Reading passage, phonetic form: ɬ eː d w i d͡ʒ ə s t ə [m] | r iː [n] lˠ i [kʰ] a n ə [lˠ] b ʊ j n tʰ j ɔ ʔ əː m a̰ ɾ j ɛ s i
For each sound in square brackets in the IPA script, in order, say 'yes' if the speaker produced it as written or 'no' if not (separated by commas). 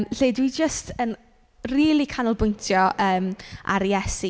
no, no, yes, yes